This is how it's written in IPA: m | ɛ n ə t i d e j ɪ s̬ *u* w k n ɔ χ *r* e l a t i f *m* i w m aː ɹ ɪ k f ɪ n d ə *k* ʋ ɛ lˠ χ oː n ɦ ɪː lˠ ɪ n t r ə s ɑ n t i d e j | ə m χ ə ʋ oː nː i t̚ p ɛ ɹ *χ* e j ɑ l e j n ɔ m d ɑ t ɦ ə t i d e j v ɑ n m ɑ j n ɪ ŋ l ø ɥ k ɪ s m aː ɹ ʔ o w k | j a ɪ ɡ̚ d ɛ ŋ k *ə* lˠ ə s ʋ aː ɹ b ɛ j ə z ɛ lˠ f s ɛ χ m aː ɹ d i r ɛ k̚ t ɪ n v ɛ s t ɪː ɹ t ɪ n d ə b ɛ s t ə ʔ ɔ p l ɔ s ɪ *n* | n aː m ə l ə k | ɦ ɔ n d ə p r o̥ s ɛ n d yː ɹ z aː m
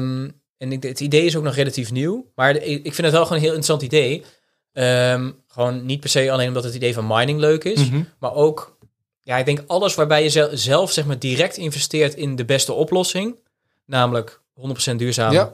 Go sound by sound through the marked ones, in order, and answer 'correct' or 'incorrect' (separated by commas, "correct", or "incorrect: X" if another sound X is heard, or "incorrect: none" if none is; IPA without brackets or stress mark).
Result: incorrect: o, correct, incorrect: n, incorrect: t, incorrect: s, incorrect: ɑ, incorrect: ŋ